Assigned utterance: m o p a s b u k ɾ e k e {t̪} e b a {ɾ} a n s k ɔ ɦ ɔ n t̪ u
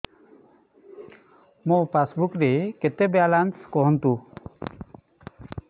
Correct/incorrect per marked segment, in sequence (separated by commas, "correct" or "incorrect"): correct, incorrect